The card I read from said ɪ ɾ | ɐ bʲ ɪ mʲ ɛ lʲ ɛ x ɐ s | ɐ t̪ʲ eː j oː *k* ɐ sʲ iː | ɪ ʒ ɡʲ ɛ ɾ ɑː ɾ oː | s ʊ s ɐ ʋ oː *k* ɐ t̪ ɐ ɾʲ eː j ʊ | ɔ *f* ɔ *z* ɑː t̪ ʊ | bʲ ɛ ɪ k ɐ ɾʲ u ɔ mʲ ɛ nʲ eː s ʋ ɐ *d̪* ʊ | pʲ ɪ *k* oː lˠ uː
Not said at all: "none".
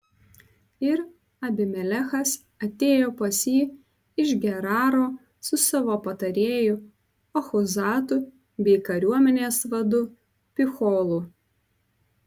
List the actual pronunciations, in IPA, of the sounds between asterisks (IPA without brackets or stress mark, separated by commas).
p, p, x, z, d̪, x